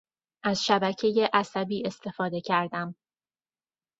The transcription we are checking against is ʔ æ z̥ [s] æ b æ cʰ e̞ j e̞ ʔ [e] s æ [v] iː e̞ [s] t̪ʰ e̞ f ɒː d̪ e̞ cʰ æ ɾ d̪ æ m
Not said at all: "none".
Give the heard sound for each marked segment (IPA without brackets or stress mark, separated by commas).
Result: ʃ, æ, b, s